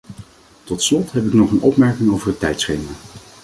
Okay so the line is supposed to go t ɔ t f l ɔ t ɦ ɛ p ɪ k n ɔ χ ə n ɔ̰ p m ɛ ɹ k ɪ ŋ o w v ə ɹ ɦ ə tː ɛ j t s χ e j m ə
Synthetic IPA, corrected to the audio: t ɔ t s l ɔ t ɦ ɛ p ɪ k n ɔ χ ə n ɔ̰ p m ɛ ɹ k ɪ ŋ o w v ə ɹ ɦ ə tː ɛ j t s χ e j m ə